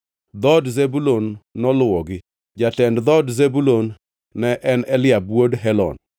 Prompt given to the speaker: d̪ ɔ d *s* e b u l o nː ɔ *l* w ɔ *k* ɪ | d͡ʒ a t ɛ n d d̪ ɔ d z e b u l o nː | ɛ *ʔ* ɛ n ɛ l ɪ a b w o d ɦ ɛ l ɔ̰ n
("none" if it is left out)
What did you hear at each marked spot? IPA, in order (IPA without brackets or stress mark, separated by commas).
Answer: z, l, ɡ, ʔ